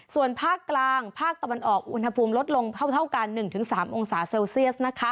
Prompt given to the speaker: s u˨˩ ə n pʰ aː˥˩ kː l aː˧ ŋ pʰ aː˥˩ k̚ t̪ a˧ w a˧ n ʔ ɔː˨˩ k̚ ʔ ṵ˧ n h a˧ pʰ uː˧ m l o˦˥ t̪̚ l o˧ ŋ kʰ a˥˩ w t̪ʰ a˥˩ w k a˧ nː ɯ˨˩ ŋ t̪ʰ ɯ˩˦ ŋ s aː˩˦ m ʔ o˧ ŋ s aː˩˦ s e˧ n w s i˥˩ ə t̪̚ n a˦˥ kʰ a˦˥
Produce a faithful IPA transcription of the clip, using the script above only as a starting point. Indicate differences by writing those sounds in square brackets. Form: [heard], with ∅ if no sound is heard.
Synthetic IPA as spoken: s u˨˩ ə n pʰ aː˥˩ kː l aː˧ ŋ pʰ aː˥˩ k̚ t̪ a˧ w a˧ n ʔ ɔː˨˩ k̚ ʔ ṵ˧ n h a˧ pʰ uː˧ m l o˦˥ t̪̚ l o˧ ŋ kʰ a˥˩ w t̪ʰ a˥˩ w k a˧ nː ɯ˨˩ ŋ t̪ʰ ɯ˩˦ ŋ s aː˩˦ m ʔ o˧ ŋ s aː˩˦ s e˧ [∅] w s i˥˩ ə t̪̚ n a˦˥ kʰ a˦˥

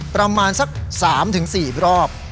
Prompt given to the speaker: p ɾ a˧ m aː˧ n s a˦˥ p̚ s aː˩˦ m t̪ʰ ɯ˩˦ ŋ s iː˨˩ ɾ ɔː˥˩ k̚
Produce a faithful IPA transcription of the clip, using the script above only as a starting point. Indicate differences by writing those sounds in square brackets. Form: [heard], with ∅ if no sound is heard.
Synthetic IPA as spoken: p ɾ a˧ m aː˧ n s a˦˥ [k̚] s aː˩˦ m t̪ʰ ɯ˩˦ ŋ s iː˨˩ ɾ ɔː˥˩ [p̚]

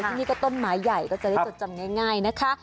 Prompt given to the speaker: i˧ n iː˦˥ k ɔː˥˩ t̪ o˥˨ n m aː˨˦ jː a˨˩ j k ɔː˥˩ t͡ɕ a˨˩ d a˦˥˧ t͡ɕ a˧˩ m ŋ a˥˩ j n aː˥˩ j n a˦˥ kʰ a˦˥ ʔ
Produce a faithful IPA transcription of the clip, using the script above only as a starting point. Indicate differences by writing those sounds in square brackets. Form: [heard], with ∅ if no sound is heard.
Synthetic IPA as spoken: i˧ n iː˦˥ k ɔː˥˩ t̪ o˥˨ n m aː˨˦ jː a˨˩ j k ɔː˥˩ t͡ɕ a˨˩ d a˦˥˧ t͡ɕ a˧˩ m ŋ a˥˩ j [ŋ] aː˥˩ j n a˦˥ kʰ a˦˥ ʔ

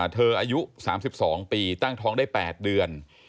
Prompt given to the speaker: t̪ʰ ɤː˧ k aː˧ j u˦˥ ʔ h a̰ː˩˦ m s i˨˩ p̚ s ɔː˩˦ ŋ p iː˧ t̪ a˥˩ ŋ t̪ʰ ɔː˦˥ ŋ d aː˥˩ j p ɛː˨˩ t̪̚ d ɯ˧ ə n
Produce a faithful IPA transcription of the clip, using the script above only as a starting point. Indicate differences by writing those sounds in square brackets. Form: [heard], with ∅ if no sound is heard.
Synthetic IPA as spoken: t̪ʰ ɤː˧ [ʔ] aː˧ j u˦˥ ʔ [s] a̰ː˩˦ m s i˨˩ p̚ s ɔː˩˦ ŋ p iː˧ t̪ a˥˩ ŋ t̪ʰ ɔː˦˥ ŋ d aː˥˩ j p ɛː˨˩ t̪̚ d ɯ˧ ə n

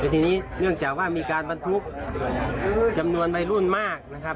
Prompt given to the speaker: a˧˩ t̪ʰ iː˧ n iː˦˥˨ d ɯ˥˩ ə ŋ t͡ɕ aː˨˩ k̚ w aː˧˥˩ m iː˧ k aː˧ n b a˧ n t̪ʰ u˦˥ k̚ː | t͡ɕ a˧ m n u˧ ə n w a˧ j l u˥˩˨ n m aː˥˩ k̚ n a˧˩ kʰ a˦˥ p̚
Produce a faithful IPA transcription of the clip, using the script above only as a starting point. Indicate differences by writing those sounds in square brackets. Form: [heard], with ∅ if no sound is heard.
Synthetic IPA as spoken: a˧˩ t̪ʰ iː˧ n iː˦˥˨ [n] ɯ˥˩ ə ŋ t͡ɕ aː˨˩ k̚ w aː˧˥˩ m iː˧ k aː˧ n b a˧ n t̪ʰ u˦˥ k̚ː | t͡ɕ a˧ m n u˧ ə n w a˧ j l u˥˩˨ n m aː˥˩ k̚ n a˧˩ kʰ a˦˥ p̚

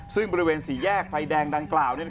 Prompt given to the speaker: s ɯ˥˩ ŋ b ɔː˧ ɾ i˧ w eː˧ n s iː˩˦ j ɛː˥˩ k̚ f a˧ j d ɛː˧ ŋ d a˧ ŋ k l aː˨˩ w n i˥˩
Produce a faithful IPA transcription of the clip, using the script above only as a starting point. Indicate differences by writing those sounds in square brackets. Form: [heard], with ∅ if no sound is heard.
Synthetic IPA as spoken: s ɯ˥˩ ŋ b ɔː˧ ɾ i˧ w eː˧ n s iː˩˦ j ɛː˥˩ k̚ f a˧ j d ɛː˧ ŋ d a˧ ŋ k l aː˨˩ w n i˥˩

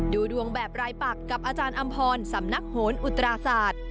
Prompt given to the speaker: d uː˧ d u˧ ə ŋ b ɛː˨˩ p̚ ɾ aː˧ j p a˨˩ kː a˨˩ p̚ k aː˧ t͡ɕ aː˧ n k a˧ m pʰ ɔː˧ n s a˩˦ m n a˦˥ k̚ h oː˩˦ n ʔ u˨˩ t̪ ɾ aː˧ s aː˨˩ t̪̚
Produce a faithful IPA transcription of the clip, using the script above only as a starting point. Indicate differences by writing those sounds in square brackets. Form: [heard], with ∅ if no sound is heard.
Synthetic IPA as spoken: d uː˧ d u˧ ə ŋ b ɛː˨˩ p̚ ɾ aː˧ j p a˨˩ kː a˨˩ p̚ [ʔ] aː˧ t͡ɕ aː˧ n [ʔ] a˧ m pʰ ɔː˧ n s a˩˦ m n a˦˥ k̚ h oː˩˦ n ʔ u˨˩ t̪ ɾ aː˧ s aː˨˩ t̪̚

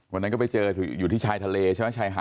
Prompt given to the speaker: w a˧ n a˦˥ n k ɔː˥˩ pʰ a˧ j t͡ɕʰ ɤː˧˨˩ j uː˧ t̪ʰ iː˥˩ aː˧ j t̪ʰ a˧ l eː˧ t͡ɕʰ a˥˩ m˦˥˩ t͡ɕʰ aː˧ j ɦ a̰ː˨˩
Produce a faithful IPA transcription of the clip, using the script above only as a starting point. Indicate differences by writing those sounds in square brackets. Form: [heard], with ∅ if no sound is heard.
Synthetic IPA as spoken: w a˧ n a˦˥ n k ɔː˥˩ [p] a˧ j [t͡ɕ] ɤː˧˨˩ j [uː˨˩] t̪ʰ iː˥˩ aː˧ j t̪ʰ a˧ l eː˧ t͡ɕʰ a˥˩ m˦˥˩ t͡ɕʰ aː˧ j ɦ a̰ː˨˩

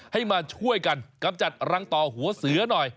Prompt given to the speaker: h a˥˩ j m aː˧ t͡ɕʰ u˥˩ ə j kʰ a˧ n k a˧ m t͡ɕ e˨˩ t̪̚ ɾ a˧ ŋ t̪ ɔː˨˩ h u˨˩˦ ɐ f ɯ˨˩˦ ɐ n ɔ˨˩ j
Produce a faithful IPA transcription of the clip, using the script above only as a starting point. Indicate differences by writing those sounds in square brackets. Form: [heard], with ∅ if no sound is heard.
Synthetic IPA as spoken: h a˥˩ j m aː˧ t͡ɕʰ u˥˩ ə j [k] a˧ n k a˧ m t͡ɕ [a˨˩] t̪̚ ɾ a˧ ŋ t̪ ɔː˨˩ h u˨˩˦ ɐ [s] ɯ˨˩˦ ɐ n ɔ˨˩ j

